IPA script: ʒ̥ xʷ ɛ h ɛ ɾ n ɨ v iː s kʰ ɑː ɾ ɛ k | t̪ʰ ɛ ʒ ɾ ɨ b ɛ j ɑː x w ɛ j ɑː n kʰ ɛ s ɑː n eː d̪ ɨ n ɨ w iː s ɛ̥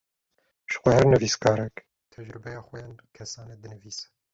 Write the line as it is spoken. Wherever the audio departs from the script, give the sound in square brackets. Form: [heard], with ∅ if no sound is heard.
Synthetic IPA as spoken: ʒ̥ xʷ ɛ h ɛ ɾ n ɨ v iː s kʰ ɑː ɾ ɛ k | t̪ʰ ɛ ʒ ɾ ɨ b ɛ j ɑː x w ɛ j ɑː n kʰ ɛ s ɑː n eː d̪ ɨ n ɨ [v] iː s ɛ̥